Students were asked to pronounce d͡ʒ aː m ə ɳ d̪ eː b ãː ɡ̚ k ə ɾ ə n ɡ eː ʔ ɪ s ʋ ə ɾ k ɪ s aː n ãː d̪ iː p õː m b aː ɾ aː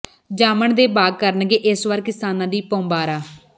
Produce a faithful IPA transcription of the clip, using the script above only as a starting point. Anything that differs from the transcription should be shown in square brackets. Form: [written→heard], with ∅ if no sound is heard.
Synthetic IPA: d͡ʒ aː m ə ɳ d̪ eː b [ãː→aː] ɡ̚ k ə ɾ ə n ɡ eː ʔ ɪ s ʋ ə ɾ k ɪ s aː n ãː d̪ iː p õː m b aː ɾ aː